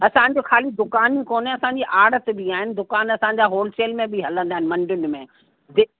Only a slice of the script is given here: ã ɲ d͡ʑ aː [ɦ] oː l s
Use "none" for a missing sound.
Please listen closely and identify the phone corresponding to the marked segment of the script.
ɦ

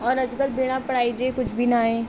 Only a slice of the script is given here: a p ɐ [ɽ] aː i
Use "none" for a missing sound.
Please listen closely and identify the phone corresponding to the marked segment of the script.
ɽ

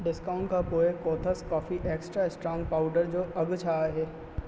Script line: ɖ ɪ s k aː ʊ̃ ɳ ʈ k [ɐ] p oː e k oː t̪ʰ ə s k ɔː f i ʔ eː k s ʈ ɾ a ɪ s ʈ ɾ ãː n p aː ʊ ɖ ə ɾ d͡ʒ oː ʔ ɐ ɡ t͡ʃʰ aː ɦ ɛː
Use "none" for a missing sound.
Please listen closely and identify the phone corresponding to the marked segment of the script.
a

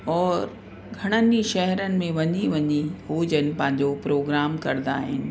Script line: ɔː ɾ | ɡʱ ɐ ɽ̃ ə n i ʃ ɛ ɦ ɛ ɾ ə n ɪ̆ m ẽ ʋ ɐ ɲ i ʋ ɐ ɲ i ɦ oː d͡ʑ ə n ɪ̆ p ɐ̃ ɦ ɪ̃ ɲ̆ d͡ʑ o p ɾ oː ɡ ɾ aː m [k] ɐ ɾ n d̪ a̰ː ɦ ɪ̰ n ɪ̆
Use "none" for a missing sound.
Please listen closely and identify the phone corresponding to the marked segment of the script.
k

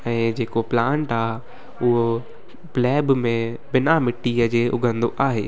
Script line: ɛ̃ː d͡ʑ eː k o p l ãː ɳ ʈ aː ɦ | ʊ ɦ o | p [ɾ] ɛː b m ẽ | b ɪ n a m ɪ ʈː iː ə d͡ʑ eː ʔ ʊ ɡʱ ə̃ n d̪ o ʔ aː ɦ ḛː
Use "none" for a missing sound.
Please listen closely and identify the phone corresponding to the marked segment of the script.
l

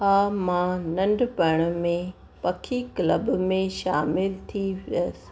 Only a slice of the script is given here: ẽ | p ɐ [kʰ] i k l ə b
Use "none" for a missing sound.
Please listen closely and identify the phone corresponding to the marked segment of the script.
kʰ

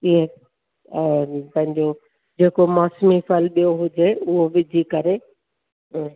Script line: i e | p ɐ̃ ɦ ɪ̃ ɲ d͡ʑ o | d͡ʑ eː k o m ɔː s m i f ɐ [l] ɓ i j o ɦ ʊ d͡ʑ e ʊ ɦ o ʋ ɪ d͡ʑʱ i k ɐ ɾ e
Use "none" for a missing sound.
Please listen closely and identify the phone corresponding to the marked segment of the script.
l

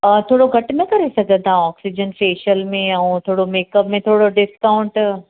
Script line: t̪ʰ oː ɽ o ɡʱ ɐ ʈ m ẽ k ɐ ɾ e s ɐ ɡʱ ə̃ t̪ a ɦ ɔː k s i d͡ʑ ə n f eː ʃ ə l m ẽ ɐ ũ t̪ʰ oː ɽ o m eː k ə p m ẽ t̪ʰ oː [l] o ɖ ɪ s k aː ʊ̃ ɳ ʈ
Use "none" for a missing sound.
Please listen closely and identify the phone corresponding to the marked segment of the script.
ɽ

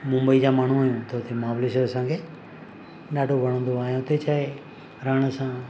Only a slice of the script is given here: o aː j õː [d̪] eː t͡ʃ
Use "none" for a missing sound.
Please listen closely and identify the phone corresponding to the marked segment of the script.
t̪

